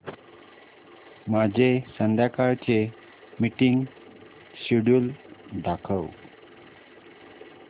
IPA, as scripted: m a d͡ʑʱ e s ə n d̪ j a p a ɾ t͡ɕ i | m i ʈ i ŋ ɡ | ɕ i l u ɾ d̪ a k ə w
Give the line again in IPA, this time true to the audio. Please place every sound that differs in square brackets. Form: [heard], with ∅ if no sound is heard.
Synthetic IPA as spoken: m a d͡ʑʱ e s ə n d̪ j a [k] a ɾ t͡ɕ [e] | m i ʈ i ŋ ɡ | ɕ i [ɽ] u [l] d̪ a [kʰ] ə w